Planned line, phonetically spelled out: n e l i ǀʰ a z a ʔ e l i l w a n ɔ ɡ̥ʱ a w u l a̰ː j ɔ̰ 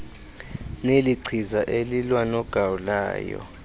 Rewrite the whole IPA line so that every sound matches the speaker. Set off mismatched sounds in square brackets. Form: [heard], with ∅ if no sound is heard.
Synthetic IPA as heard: n e l i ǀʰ [i] z a ʔ e l i l w a n ɔ ɡ̥ʱ a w u l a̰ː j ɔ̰

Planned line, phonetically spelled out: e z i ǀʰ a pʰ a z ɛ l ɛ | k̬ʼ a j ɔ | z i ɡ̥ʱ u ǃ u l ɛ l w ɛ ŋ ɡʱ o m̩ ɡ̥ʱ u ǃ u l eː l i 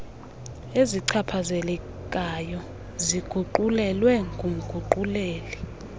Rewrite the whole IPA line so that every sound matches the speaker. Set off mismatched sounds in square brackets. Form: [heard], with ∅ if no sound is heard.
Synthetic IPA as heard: e z i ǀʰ a pʰ a z ɛ l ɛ | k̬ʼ a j ɔ | z i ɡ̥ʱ u ǃ u l ɛ l w ɛ ŋ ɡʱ [u] m̩ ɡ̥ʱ u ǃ u l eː l i

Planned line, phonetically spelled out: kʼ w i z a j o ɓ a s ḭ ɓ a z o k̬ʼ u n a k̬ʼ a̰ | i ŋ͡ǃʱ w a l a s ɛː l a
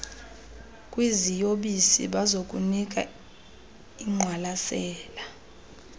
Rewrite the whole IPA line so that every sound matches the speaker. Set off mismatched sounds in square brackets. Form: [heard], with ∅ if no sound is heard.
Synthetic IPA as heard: kʼ w i z [i] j o ɓ [i] s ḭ ɓ a z o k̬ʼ u n [i] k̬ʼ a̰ | i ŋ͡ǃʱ w a l a s ɛː l a

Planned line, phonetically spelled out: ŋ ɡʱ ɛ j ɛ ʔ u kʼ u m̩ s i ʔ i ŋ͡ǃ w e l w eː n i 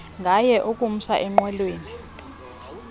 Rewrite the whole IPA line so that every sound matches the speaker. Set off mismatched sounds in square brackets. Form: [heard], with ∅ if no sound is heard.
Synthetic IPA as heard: ŋ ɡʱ [a] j ɛ ʔ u kʼ u m̩ s [a] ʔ [ɛ] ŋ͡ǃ w [ɛ] l w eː n i

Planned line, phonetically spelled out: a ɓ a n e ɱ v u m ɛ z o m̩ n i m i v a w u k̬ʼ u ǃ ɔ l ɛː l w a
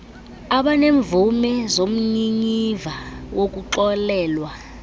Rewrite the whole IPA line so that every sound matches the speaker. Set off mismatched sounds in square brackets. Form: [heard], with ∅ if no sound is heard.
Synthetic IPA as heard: a ɓ a n e ɱ v u m ɛ z o m̩ [ɲ] i [ɲ] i v a w [o] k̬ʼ u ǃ ɔ l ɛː l w a

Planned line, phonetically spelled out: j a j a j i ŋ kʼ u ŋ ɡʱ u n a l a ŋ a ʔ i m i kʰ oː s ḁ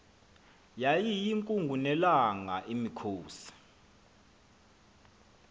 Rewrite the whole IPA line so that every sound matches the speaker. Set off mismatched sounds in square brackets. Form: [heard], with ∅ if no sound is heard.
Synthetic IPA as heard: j a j [i] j i ŋ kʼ u ŋ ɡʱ u n [ɛ] l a ŋ a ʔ i m i kʰ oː s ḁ

